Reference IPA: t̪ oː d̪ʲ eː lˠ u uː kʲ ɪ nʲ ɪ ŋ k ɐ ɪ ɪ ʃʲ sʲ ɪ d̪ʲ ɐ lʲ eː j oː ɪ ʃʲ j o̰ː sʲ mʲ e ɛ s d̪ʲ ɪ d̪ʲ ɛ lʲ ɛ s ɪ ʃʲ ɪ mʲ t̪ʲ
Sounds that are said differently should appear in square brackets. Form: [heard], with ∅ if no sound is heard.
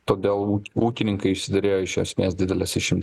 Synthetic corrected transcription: t̪ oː d̪ʲ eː lˠ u uː kʲ ɪ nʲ ɪ ŋ k ɐ ɪ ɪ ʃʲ sʲ ɪ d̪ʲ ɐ [ɾʲ] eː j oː ɪ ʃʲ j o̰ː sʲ mʲ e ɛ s d̪ʲ ɪ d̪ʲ ɛ lʲ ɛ s ɪ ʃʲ ɪ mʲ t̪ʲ